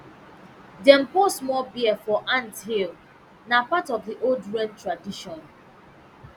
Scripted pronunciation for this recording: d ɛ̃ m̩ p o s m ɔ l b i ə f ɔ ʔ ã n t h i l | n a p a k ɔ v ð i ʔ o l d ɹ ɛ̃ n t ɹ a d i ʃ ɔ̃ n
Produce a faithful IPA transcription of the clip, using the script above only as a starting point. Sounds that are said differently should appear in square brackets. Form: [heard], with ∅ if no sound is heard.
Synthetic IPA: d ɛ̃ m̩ p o s m ɔ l b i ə f ɔ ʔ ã n t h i l | n a p a [t] ɔ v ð i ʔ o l d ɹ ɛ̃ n t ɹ a d i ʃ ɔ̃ n